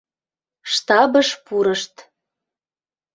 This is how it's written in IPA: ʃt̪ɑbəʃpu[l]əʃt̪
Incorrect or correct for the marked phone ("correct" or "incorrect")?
incorrect